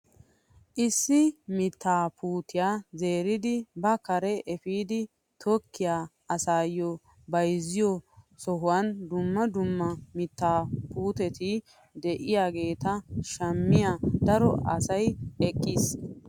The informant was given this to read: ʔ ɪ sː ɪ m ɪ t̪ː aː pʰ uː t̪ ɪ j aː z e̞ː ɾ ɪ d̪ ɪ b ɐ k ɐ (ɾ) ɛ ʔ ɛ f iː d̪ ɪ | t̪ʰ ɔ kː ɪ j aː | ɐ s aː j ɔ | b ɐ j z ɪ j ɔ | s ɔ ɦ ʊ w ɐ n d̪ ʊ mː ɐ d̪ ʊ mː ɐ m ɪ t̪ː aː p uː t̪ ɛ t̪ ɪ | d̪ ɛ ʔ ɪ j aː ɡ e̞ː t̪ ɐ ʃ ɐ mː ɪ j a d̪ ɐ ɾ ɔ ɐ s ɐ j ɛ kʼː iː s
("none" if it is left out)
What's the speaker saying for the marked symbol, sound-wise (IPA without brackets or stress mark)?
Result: ɾ